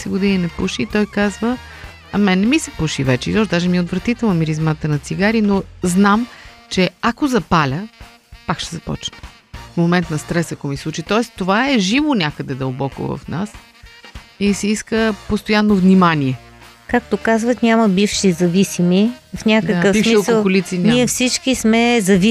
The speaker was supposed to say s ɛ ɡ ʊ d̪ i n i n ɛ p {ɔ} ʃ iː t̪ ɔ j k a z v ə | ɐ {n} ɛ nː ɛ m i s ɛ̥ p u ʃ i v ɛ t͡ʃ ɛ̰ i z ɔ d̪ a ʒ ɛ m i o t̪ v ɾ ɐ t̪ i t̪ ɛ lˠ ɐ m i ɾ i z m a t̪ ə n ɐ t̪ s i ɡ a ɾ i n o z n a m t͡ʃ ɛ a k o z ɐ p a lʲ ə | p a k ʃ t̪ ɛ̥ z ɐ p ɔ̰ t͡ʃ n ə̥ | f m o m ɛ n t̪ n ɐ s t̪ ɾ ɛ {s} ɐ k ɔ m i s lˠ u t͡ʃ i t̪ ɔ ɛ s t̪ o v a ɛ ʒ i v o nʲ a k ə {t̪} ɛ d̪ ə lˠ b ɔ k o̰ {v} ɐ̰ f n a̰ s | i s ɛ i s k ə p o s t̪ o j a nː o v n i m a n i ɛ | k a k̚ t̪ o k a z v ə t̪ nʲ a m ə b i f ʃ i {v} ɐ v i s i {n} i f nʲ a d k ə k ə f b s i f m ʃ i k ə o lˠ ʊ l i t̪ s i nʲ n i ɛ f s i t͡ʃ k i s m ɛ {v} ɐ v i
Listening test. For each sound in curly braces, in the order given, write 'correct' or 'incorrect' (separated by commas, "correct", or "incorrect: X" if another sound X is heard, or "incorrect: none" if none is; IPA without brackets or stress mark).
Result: incorrect: u, incorrect: m, correct, incorrect: d̪, correct, incorrect: z, incorrect: m, incorrect: z